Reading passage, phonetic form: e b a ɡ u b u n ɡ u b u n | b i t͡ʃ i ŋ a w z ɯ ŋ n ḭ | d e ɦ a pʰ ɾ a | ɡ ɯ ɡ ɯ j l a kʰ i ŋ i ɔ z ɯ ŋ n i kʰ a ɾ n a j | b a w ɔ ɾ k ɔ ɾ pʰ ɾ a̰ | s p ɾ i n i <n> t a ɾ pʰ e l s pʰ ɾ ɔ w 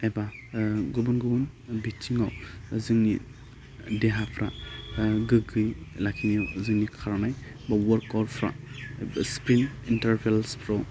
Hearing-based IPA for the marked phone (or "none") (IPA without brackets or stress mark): n